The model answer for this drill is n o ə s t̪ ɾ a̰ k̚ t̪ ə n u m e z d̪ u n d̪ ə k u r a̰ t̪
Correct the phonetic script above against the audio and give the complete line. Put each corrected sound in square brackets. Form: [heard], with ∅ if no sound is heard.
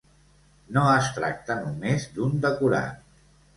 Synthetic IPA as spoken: n o ə s t̪ ɾ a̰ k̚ t̪ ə n u m e z d̪ u n d̪ ə k u [ɾ] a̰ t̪